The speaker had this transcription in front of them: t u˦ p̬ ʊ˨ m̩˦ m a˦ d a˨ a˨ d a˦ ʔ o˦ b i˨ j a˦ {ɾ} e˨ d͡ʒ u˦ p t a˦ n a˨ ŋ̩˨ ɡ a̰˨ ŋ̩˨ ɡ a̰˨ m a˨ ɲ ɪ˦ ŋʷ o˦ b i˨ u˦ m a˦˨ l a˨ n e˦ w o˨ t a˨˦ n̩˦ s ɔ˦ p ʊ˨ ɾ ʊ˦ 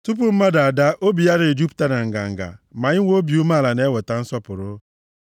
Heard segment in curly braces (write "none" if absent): ɾ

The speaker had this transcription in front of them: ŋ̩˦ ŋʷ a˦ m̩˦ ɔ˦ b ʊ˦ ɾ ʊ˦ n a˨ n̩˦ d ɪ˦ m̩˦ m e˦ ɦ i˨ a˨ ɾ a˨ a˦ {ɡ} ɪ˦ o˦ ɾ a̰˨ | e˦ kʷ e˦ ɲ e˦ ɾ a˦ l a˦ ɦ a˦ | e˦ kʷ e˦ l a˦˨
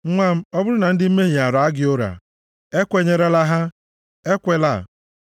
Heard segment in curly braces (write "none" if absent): ɡ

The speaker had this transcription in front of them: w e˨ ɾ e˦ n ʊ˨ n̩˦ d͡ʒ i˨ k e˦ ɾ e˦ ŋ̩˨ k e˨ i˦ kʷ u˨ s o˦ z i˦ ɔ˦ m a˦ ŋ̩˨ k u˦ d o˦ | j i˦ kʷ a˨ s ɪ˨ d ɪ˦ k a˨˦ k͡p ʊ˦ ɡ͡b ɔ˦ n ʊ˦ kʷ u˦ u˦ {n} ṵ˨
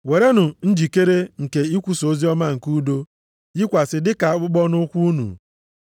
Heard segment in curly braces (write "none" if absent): n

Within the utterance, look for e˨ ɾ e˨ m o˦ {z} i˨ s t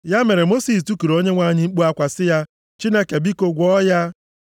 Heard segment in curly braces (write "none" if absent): s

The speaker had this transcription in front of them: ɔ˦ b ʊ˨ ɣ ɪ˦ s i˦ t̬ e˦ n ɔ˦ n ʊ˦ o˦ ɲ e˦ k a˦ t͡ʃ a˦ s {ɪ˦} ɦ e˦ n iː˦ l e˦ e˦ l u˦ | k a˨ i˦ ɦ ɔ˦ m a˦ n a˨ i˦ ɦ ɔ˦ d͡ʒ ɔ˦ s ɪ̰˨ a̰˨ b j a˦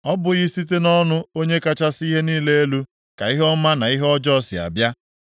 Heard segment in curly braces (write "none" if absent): i˦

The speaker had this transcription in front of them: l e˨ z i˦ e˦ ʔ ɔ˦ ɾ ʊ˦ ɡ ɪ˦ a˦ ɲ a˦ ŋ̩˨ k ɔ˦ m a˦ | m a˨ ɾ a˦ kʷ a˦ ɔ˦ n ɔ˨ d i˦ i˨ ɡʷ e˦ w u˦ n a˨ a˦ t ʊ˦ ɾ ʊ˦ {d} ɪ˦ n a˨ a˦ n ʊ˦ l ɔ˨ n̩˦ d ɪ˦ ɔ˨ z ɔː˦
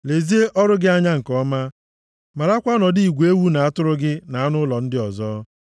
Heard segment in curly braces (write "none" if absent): ɡ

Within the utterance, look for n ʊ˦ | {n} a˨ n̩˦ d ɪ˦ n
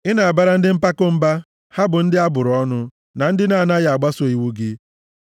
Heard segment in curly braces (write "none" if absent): n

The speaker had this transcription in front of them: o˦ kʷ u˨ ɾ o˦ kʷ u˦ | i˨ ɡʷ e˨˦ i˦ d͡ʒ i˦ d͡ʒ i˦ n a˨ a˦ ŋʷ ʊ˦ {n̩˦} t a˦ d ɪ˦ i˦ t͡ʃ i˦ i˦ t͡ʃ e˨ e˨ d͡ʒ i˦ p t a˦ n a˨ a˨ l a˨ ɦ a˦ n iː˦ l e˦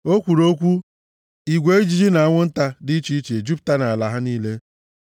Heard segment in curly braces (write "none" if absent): n̩˦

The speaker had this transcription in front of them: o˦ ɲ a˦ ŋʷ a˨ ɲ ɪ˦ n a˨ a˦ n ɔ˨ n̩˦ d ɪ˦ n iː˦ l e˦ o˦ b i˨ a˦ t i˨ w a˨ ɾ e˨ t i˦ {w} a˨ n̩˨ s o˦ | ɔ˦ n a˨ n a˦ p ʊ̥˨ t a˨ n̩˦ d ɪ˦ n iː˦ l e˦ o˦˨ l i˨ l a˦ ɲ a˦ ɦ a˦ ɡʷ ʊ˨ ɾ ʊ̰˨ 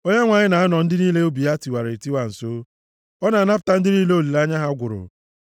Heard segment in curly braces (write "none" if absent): w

